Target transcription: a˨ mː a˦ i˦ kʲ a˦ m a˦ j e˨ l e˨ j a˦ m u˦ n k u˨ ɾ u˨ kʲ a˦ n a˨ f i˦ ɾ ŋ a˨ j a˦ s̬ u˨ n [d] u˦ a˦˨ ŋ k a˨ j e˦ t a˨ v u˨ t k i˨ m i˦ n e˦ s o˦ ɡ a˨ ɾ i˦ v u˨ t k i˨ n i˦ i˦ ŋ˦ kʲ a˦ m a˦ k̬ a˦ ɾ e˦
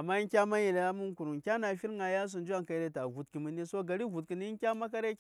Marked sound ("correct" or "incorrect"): incorrect